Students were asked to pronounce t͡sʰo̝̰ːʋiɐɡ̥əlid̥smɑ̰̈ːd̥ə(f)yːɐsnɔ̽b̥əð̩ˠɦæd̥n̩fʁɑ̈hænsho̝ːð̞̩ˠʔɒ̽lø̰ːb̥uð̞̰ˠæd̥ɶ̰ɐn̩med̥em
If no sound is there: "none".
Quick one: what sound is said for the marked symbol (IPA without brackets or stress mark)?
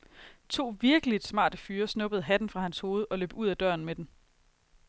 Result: f